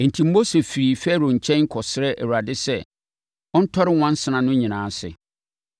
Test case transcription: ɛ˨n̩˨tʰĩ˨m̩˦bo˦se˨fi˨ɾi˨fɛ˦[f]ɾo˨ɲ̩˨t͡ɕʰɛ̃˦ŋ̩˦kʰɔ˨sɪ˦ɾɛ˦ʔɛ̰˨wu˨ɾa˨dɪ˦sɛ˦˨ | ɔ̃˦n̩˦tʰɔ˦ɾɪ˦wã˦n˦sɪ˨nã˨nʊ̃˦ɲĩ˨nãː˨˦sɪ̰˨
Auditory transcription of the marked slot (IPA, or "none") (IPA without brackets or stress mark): none